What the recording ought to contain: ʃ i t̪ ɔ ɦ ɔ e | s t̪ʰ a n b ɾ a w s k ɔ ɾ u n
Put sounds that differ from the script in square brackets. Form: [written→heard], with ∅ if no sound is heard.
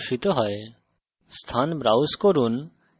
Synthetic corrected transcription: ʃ i t̪ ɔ ɦ ɔ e | s t̪ʰ a n b ɾ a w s k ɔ ɾ u n